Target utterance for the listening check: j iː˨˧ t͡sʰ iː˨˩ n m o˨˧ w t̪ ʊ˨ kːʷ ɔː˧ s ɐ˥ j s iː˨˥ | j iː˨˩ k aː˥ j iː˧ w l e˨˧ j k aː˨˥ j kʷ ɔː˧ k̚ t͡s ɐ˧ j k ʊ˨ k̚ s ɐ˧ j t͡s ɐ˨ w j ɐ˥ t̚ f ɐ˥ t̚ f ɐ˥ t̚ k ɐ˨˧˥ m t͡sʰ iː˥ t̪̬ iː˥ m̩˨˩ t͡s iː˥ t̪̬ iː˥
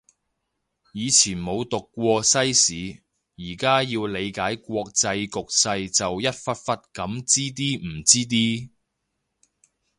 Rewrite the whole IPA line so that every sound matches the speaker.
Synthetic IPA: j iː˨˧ t͡sʰ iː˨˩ n m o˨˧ w t̪ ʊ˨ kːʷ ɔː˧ s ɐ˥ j s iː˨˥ | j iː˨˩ k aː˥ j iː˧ w l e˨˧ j k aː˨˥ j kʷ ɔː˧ k̚ t͡s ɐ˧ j k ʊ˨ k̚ s ɐ˧ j t͡s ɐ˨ w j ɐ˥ t̚ f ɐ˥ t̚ f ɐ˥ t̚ k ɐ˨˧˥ m t͡s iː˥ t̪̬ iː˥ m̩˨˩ t͡s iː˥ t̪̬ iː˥